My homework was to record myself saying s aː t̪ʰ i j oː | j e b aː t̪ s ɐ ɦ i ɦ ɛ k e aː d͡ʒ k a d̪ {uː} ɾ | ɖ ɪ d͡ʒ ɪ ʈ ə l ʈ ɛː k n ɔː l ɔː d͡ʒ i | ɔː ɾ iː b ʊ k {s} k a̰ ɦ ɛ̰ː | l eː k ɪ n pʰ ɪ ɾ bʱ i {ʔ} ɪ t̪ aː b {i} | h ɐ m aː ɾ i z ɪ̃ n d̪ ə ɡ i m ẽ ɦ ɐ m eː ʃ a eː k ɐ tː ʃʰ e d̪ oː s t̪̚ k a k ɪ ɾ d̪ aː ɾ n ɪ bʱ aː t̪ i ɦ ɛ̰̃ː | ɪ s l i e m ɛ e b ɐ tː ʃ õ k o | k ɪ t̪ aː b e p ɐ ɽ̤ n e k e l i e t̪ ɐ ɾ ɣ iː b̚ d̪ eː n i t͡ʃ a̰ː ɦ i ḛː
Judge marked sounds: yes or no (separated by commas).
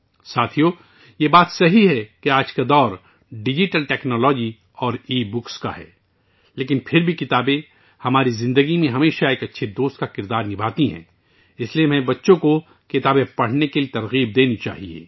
no, yes, no, no